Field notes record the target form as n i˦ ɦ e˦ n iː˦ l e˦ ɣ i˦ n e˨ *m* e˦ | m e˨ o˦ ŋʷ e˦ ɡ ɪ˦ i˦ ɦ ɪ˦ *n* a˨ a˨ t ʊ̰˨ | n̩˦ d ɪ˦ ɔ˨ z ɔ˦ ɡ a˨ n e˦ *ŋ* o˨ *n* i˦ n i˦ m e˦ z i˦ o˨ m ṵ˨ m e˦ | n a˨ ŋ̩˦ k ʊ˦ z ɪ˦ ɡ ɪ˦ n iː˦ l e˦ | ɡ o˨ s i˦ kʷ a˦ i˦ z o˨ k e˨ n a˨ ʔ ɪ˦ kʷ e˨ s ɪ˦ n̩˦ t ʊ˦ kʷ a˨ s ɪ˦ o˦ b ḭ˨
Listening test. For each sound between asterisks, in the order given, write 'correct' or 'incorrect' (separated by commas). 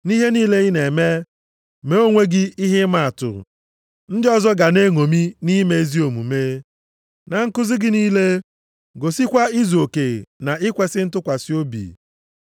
correct, incorrect, correct, incorrect